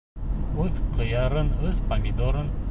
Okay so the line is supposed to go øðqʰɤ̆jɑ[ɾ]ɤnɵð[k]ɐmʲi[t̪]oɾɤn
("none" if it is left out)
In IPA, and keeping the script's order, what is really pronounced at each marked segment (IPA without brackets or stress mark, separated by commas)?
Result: ɾ, p, d̪